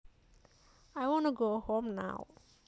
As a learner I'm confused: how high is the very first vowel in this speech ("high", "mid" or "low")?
low